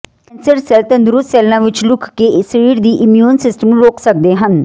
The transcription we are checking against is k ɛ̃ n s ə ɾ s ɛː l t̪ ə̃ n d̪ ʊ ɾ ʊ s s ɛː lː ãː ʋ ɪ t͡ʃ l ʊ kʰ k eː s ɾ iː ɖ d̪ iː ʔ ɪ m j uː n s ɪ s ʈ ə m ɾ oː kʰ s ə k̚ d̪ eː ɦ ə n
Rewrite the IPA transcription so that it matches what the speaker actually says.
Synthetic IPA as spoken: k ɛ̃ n s ə ɾ s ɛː l t̪ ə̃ n d̪ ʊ ɾ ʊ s s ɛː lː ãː ʋ ɪ t͡ʃ l ʊ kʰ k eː s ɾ iː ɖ d̪ iː ʔ ɪ m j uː n s ɪ s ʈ ə m ɾ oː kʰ s ə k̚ d̪ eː ɦ ə n